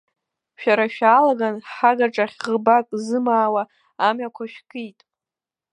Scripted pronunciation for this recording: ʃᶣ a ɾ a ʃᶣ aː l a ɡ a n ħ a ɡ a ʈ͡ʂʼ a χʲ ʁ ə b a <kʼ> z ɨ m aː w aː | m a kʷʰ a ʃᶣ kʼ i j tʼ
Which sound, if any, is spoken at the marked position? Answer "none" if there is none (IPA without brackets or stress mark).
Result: kʼ